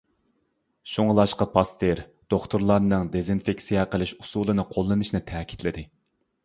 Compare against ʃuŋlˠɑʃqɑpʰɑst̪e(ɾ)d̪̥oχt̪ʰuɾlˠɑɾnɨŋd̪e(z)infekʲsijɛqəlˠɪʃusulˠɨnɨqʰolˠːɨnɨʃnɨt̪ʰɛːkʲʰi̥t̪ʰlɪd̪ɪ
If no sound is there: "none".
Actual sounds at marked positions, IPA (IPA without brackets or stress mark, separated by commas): ɾ, z